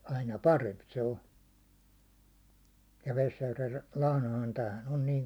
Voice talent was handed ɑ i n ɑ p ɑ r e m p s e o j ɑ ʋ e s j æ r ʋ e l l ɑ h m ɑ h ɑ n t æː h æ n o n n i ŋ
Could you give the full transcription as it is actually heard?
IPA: ɑ i n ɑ p ɑ r e m p s e o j ɑ ʋ e s j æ r ʋ e l l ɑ h n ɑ h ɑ n t æː h æ n o n n iː ŋ